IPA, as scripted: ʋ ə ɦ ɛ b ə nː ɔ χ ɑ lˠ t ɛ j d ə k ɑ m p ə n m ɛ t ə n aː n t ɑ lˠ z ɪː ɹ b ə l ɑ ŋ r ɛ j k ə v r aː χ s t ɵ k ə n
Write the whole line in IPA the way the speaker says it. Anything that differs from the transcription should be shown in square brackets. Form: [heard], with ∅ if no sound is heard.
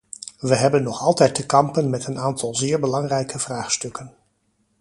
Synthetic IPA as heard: ʋ ə ɦ ɛ b ə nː ɔ χ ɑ lˠ t ɛ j [t] ə k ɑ m p ə n m ɛ t ə n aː n t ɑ lˠ z ɪː ɹ b ə l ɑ ŋ r ɛ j k ə v r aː χ s t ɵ k ə n

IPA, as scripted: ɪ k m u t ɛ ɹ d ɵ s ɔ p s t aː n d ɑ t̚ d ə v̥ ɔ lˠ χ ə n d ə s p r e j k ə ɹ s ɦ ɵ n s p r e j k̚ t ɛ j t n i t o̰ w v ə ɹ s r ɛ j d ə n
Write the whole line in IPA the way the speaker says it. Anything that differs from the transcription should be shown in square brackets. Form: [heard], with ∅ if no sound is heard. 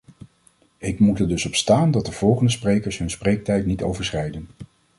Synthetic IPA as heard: ɪ k m u t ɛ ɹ d ɵ s ɔ p s t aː n d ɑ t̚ d ə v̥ ɔ lˠ χ ə n d ə s p r e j k ə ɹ s ɦ ɵ n s p r e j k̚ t ɛ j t n i t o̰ w v ə ɹ s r ɛ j d ə n

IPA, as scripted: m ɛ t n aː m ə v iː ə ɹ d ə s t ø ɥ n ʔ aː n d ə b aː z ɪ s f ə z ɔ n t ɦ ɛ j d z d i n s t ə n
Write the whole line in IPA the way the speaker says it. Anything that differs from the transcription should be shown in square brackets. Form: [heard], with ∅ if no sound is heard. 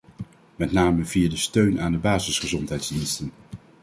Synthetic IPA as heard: m ɛ t n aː m ə v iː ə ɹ d ə s t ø ɥ n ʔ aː n d ə b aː z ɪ s [χ] ə z ɔ n t ɦ ɛ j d z d i n s t ə n

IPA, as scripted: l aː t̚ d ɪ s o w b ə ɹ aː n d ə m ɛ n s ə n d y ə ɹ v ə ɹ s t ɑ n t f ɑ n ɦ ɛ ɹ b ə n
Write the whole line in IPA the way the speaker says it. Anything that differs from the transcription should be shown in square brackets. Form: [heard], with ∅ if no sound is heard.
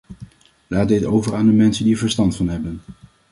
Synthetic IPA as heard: l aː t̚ d ɪ [t] o w [v] ə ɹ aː n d ə m ɛ n s ə n d [i] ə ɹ v ə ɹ s t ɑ n t f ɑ n ɦ ɛ [∅] b ə n

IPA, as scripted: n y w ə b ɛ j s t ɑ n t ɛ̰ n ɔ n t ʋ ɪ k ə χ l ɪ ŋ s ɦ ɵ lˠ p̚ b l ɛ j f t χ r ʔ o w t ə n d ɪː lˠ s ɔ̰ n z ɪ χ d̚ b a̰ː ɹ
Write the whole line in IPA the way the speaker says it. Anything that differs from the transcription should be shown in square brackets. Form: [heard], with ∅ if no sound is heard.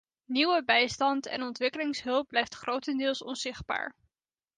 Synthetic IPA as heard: n [i] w ə b ɛ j s t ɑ n t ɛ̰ n ɔ n t ʋ ɪ k ə [∅] l ɪ ŋ s ɦ ɵ lˠ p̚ b l ɛ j f t χ r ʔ o w t ə n d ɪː lˠ s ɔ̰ n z ɪ χ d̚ b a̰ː ɹ

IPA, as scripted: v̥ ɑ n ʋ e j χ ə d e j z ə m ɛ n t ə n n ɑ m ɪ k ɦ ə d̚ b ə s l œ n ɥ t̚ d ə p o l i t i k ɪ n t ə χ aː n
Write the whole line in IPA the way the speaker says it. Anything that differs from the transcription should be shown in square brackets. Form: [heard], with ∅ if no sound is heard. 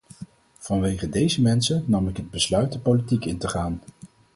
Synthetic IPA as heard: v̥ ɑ n ʋ e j χ ə d e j z ə m ɛ n [s] ə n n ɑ m ɪ k ɦ ə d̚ b ə s l œ [∅] ɥ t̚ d ə p o l i t i k ɪ n t ə χ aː n

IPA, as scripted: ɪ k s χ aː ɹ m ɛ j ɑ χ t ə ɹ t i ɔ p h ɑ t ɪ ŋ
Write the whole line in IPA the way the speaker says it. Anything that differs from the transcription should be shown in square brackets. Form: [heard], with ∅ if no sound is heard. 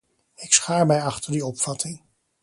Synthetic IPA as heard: ɪ k s χ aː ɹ m ɛ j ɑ χ t ə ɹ [d] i ɔ p [f] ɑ t ɪ ŋ

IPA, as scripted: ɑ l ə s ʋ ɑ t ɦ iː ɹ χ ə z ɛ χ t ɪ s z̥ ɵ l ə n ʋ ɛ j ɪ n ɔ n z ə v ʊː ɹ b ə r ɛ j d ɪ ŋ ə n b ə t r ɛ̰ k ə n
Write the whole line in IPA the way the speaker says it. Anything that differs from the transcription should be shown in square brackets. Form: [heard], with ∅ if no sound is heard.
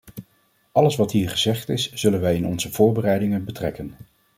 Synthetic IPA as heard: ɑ l ə s ʋ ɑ t ɦ iː ɹ χ ə z ɛ χ t ɪ s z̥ ɵ l ə n ʋ ɛ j ɪ n ɔ n z ə v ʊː ɹ b ə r ɛ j d ɪ ŋ ə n b ə t r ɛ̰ k ə n

